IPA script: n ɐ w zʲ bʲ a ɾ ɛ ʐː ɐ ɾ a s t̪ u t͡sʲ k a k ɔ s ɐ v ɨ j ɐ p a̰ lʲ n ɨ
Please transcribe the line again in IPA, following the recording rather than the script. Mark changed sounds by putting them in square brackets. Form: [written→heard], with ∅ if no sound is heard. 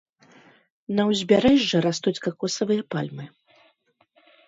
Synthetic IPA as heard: n ɐ w zʲ bʲ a ɾ ɛ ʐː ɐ ɾ a s t̪ u t͡sʲ k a k ɔ s ɐ v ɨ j ɐ p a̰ lʲ [n→m] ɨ